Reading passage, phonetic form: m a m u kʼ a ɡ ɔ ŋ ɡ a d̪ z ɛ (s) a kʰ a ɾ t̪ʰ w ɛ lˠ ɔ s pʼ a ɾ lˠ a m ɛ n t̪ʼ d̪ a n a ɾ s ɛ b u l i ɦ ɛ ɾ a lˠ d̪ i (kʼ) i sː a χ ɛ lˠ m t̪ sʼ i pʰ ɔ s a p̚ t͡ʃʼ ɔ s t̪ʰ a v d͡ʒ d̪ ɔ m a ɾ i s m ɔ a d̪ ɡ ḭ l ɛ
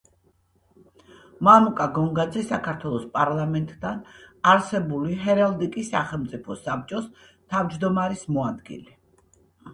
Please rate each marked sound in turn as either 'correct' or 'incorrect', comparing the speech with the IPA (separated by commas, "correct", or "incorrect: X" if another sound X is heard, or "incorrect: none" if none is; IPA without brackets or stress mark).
correct, correct